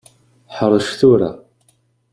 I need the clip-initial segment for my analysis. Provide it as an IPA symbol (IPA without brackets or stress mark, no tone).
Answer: ħ